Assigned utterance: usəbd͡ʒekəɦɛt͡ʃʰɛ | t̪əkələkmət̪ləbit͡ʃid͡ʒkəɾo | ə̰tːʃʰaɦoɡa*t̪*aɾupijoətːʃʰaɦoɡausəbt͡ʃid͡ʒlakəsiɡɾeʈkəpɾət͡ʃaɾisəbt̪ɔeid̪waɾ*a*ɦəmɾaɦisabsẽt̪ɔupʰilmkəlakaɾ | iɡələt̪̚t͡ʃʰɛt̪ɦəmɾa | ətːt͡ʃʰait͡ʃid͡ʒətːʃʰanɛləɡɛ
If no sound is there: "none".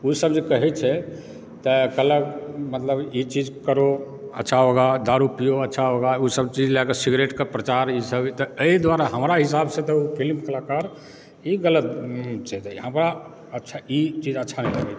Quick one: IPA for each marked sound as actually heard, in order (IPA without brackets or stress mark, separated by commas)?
d̪, a